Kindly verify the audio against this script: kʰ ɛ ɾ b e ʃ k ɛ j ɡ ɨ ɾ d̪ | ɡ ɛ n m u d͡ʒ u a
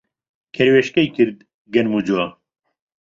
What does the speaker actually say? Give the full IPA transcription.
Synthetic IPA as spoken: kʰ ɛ ɾ w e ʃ k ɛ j k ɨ ɾ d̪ | ɡ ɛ n m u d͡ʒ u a